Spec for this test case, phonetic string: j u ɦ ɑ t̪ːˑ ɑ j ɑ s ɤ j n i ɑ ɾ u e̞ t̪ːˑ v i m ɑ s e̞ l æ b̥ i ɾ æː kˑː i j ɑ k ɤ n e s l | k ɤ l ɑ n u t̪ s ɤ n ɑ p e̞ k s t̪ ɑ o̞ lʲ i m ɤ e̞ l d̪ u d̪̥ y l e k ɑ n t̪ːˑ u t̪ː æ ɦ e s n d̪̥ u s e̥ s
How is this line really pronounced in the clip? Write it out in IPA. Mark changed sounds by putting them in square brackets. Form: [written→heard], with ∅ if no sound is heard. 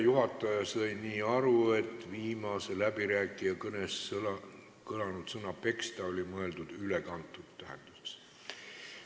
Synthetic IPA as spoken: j u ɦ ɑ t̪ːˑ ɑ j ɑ s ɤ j n [i→iː] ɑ ɾ u e̞ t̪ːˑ v [i→iː] m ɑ s e̞ l æ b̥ i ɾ æː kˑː i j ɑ k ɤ n e s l | k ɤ l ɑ n u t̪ s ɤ n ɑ p e̞ k s t̪ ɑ o̞ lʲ i m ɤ e̞ l d̪ u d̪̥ y l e k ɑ n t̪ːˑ u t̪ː æ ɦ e [s→∅] n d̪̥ u s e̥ s